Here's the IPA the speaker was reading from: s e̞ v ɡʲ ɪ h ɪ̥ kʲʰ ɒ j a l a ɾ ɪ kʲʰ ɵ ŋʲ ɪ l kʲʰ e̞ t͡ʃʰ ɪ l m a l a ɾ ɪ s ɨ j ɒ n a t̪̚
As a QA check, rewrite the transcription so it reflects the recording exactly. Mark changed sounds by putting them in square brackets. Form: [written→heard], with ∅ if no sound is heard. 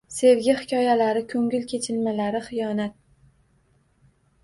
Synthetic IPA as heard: s e̞ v ɡʲ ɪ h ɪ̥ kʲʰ ɒ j a l a ɾ ɪ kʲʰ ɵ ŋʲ ɪ l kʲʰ e̞ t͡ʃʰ ɪ l m a l a ɾ ɪ [s→χ] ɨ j ɒ n a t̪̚

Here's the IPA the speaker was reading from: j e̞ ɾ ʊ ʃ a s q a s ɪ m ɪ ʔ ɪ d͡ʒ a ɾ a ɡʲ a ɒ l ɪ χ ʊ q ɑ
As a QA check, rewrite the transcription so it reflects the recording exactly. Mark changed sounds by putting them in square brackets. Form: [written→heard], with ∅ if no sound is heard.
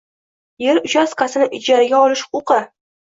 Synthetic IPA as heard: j e̞ ɾ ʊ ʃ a s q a s ɪ [m→n] ɪ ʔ ɪ d͡ʒ a ɾ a ɡʲ a ɒ l ɪ [χ→ʃ] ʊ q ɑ

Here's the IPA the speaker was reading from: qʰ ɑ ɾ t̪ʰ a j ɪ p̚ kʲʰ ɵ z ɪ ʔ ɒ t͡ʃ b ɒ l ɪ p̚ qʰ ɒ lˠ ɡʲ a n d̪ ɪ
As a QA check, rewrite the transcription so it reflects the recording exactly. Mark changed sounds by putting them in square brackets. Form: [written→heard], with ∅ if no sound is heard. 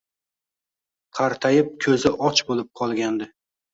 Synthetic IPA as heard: qʰ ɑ ɾ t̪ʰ a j ɪ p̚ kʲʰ ɵ z ɪ ʔ ɒ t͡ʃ b [ɒ→o] l ɪ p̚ qʰ ɒ lˠ ɡʲ a n d̪ ɪ

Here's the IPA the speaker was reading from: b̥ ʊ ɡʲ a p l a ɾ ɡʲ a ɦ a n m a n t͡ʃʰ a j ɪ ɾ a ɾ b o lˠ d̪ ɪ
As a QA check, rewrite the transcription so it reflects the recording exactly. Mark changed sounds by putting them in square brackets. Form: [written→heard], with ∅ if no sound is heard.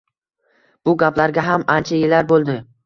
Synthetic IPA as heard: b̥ ʊ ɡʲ a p l a ɾ ɡʲ a ɦ a [n→∅] m a n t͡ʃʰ a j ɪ [ɾ→l] a ɾ b o lˠ d̪ ɪ

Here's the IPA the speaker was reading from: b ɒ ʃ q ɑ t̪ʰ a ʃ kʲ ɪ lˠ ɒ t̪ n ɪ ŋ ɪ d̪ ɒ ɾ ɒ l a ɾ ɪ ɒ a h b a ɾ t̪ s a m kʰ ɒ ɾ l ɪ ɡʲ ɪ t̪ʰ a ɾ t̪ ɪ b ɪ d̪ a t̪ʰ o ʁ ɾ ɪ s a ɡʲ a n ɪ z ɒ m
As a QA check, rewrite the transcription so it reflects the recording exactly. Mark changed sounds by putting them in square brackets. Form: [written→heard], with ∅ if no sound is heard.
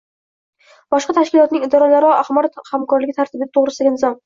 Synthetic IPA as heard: b ɒ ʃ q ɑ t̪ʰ a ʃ kʲ ɪ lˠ ɒ t̪ n ɪ ŋ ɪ d̪ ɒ ɾ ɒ l a ɾ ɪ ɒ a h [b→m] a ɾ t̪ [s→h] a m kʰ ɒ ɾ l ɪ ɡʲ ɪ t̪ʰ a ɾ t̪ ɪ b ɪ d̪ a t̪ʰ o ʁ ɾ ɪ s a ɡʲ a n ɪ z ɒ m

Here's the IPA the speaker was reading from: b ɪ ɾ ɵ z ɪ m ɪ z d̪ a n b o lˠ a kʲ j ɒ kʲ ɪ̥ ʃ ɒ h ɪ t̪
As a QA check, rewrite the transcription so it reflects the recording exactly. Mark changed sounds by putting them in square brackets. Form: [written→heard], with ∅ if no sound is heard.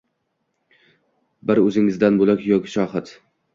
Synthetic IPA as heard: b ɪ ɾ ɵ z ɪ [m→ŋ] ɪ z d̪ a n b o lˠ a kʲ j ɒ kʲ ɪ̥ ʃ ɒ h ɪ t̪

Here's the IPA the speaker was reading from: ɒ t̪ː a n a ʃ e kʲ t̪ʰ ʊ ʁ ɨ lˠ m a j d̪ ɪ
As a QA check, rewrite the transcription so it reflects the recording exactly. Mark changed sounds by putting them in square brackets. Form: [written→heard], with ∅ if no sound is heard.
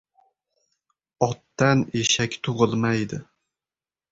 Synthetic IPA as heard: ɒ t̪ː a n [a→e] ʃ [e→a] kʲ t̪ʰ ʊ ʁ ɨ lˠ m a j d̪ ɪ

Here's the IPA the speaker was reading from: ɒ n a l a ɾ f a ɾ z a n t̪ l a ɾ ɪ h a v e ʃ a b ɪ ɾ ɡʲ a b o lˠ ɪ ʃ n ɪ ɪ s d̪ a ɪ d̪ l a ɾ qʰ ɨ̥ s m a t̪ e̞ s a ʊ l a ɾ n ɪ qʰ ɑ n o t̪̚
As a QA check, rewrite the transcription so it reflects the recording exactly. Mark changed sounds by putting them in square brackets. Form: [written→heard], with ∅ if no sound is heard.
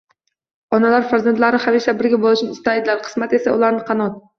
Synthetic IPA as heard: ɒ n a l a ɾ f a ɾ z a n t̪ l a ɾ ɪ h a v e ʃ a b ɪ ɾ ɡʲ a b o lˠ ɪ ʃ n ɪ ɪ s [d̪→t̪] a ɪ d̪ l a ɾ qʰ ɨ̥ s m a t̪ e̞ s a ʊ l a ɾ n ɪ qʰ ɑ n [o→ɒ] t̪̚

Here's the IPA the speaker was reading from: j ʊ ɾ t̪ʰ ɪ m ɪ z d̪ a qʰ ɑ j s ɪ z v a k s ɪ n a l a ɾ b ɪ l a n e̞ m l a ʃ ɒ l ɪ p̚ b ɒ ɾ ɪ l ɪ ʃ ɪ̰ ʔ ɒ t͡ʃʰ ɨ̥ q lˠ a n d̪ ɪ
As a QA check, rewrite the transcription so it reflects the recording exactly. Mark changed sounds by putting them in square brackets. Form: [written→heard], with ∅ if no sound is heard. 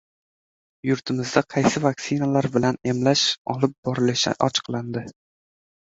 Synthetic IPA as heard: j ʊ ɾ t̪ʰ ɪ m ɪ z d̪ a qʰ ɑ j s ɪ [z→∅] v a k s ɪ n a l a ɾ b ɪ l a n e̞ m l a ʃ ɒ l ɪ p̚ b ɒ ɾ ɪ l ɪ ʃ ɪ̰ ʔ ɒ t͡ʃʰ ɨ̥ q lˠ a n d̪ ɪ

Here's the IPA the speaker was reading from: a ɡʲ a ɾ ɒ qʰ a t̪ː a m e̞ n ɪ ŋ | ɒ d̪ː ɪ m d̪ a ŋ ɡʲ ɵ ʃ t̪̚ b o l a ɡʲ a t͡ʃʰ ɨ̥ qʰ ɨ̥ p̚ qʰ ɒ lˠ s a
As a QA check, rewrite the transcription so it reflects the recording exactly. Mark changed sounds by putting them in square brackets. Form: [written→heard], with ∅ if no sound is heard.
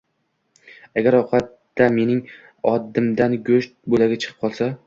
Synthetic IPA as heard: a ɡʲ a ɾ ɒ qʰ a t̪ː a m e̞ n ɪ ŋ | ɒ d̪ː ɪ m d̪ a [ŋ→n] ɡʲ ɵ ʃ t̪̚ b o l a ɡʲ a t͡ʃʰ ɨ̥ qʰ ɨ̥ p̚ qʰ ɒ lˠ s a

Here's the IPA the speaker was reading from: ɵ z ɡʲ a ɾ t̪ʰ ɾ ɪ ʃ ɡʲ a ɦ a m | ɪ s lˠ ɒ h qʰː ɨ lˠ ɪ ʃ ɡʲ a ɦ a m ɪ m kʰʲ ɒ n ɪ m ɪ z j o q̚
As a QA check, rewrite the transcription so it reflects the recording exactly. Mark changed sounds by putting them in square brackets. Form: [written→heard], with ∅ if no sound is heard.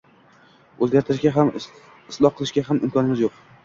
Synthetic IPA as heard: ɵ z ɡʲ a ɾ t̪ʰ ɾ ɪ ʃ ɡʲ a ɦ a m | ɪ s lˠ ɒ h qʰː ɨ lˠ ɪ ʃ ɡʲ a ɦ a m ɪ m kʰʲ ɒ n ɪ m ɪ z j o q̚

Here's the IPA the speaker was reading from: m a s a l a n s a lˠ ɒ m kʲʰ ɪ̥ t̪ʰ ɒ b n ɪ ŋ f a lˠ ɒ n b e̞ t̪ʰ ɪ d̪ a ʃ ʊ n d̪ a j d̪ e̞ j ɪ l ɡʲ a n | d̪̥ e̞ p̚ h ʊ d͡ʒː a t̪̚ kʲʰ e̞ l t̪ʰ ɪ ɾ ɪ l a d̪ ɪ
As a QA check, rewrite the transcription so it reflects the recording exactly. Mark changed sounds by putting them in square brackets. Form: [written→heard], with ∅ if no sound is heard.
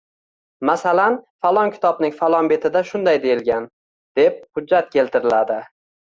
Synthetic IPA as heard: m a s a l a n [s→f] a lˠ ɒ [m→ŋ] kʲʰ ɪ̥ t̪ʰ ɒ b n ɪ ŋ f a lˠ ɒ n b e̞ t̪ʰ ɪ d̪ a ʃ ʊ n d̪ a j d̪ e̞ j ɪ l ɡʲ a n | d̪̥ e̞ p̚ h ʊ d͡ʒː a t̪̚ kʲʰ e̞ l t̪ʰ ɪ ɾ ɪ l a d̪ ɪ

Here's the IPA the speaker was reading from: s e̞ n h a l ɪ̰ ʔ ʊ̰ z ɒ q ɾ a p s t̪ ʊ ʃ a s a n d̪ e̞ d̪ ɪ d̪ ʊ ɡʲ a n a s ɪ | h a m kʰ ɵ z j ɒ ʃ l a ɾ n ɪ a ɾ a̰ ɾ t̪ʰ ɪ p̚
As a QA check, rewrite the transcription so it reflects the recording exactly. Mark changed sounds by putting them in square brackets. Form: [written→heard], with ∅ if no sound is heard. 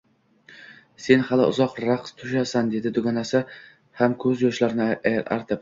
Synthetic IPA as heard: s e̞ n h a l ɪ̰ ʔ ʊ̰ z ɒ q ɾ a [p→q] s [t̪→t̪ʰ] ʊ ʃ a s a n d̪ e̞ d̪ ɪ d̪ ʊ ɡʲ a n a s ɪ | h a m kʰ ɵ z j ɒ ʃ l a ɾ n ɪ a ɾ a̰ ɾ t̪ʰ ɪ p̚

